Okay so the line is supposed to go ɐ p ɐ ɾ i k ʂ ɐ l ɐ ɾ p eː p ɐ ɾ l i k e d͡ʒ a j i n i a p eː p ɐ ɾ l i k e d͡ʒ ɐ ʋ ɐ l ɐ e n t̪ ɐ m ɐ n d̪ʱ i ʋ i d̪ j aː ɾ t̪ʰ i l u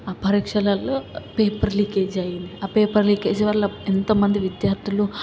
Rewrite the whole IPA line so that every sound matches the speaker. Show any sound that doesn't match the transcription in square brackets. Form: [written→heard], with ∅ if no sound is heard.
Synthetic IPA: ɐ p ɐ ɾ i k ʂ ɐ l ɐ [ɾ→l] p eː p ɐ ɾ l i k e d͡ʒ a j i n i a p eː p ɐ ɾ l i k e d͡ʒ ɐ ʋ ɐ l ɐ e n t̪ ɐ m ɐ n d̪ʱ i ʋ i d̪ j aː ɾ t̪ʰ i l u

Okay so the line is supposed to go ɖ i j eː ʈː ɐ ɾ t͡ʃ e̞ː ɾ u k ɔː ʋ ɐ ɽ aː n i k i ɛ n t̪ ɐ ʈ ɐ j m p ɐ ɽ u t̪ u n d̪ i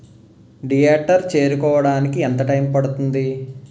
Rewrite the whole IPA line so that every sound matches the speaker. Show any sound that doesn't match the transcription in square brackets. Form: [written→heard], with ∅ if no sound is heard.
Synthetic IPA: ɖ i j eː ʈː ɐ ɾ t͡ʃ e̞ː ɾ u k ɔː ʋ ɐ ɽ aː n i k i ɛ n t̪ ɐ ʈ ɐ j m p ɐ ɽ u t̪ u n d̪ i

